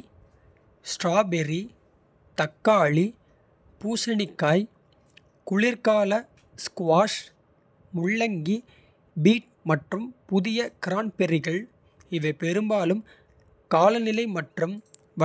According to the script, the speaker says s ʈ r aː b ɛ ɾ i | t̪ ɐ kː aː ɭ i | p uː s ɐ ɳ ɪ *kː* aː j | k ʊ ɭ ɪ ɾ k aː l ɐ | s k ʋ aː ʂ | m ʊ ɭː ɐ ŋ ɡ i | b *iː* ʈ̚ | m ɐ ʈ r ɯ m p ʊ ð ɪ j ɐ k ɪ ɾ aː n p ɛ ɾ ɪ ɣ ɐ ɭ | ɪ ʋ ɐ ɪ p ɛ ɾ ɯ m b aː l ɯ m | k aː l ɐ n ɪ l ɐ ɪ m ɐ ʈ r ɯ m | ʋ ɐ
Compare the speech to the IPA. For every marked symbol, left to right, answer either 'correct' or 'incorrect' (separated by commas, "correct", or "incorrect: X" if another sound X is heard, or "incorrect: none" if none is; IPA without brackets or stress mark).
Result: correct, correct